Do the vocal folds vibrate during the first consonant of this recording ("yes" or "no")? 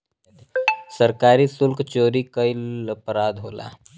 no